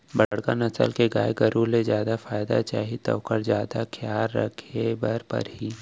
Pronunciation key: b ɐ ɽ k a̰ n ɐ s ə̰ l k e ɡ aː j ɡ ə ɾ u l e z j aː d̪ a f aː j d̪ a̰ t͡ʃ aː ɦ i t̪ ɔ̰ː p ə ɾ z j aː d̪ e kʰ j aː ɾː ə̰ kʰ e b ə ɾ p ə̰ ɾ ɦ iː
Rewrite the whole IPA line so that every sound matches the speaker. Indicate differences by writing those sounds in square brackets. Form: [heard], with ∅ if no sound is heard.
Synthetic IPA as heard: b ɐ ɽ k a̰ n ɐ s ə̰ l k e ɡ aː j ɡ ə ɾ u l e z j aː d̪ a f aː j d̪ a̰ t͡ʃ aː ɦ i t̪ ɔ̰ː [k] ə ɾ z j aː d̪ [a] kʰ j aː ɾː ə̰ kʰ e b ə ɾ p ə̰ ɾ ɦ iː